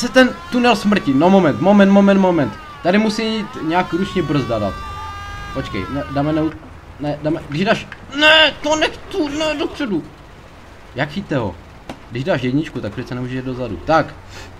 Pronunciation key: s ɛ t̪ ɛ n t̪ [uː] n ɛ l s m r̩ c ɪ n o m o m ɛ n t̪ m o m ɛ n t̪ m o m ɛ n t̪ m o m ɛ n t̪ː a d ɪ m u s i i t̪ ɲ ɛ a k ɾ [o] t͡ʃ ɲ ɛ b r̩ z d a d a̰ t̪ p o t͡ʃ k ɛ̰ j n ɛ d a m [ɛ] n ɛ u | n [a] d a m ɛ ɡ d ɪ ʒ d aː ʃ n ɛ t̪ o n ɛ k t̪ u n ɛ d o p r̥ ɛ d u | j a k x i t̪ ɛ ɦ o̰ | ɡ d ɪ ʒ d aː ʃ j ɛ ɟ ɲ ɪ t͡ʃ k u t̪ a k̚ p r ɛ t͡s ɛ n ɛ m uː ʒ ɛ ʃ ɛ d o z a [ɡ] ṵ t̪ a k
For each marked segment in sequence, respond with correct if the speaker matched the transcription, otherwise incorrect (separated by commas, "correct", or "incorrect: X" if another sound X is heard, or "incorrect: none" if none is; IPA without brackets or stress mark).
incorrect: u, incorrect: u, correct, incorrect: ɛ, incorrect: d